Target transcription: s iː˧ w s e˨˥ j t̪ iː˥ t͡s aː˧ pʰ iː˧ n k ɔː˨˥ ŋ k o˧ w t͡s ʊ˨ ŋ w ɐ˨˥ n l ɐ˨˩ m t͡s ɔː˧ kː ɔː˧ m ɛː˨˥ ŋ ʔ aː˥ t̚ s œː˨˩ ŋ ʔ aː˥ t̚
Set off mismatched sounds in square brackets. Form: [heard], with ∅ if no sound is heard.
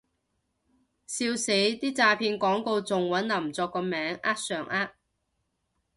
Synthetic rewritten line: s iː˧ w s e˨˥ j t̪ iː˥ t͡s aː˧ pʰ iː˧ n k ɔː˨˥ ŋ k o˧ w t͡s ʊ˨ ŋ w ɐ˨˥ n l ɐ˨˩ m t͡s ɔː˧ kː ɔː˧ m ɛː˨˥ ŋ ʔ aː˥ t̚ s œː˨˩ ŋ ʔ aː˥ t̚